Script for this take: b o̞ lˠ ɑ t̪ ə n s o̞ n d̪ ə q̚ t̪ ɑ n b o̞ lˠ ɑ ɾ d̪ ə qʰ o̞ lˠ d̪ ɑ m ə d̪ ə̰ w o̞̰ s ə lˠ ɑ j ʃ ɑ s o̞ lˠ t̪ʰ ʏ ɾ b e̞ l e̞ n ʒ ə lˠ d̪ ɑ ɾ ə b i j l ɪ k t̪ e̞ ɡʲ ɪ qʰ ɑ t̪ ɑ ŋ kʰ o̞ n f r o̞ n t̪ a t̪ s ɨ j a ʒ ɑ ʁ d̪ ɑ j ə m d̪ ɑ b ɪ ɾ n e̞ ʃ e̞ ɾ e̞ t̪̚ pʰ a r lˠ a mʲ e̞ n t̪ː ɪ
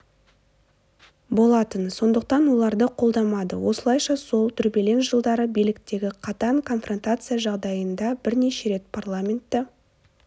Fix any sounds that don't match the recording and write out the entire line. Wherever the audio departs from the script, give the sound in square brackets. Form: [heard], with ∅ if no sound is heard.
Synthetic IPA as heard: b o̞ lˠ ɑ t̪ ə n s o̞ n d̪ ə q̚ t̪ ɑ n [w] o̞ lˠ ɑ ɾ d̪ ə qʰ o̞ lˠ d̪ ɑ m [ɑ] d̪ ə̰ w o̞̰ s ə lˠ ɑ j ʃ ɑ s o̞ lˠ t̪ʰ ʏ ɾ b e̞ l e̞ n ʒ ə lˠ d̪ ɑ ɾ ə b i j l ɪ k t̪ e̞ ɡʲ ɪ qʰ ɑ t̪ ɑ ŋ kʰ o̞ n f r o̞ n t̪ a t̪ s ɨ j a ʒ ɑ ʁ d̪ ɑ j ə [n] d̪ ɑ b ɪ ɾ n e̞ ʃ e̞ ɾ e̞ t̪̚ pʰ a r lˠ a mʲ e̞ n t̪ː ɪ